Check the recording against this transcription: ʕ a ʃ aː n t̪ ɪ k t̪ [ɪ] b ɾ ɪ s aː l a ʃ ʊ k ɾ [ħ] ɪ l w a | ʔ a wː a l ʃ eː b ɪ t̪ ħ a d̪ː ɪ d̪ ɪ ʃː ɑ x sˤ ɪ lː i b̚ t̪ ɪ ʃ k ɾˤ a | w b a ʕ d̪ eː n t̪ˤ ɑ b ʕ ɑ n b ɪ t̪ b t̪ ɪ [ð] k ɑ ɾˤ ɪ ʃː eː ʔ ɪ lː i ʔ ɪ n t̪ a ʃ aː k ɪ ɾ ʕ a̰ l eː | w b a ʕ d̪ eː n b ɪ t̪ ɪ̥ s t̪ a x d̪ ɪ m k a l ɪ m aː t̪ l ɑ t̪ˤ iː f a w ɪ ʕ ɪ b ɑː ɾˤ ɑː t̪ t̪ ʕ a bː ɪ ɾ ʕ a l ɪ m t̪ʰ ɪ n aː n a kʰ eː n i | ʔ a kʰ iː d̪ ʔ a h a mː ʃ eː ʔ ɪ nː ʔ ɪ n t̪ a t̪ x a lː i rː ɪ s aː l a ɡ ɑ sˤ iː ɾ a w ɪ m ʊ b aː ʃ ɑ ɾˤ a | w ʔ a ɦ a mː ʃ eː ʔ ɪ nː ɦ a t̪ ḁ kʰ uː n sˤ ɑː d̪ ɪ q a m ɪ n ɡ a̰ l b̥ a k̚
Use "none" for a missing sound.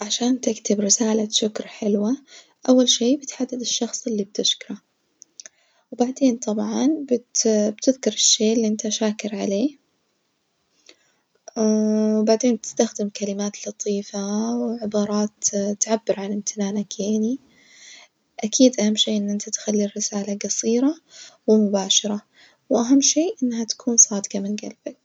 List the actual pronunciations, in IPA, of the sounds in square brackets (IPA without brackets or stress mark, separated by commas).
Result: ɪ, ħ, ð